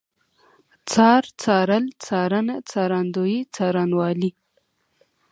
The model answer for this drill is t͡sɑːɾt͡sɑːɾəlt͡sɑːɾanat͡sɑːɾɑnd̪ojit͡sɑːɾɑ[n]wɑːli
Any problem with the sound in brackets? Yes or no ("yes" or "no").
no